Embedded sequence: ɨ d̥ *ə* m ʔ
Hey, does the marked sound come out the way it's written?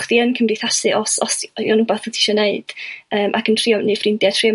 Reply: no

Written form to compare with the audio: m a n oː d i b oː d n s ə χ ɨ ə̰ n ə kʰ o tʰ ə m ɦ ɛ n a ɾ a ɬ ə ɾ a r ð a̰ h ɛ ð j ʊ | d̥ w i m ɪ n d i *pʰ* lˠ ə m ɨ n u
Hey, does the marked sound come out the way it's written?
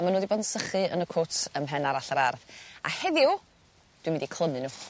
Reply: no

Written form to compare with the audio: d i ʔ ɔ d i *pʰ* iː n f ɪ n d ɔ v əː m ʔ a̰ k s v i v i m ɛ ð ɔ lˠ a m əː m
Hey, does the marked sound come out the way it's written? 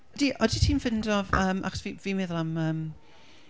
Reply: no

